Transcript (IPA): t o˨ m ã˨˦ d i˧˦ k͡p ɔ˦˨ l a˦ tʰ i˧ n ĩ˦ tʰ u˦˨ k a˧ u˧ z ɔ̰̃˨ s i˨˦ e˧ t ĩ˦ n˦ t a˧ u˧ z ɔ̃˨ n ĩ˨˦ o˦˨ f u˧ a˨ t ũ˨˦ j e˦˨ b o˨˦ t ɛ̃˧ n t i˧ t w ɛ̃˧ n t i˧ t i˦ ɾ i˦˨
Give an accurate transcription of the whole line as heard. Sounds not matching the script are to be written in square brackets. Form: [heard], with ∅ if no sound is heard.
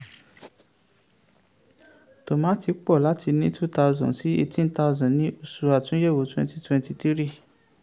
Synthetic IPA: t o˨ m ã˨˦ [t] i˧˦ k͡p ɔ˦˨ l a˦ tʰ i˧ n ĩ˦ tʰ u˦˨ [t] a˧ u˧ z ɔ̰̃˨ s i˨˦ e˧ t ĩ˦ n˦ t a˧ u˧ z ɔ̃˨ n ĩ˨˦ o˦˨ [s] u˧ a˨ t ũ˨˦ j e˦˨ [w] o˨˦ t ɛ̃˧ n t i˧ t w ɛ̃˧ n t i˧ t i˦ ɾ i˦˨